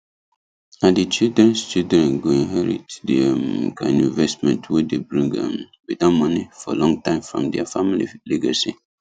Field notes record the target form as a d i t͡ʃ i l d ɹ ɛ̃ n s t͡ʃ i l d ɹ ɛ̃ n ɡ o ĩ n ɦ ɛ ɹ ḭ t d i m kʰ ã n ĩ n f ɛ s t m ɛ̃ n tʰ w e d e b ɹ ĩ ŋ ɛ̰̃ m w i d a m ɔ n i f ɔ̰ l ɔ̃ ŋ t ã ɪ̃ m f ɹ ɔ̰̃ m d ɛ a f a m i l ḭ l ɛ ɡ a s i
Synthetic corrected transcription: a d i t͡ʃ i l d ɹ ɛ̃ n s t͡ʃ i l d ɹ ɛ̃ n ɡ o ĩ n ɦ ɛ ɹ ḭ t d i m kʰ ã n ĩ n v ɛ s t m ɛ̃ n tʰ w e d e b ɹ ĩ ŋ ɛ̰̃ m w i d a m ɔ n i f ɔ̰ l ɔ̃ ŋ t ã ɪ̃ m f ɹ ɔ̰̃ m d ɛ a f a m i l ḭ l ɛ ɡ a s i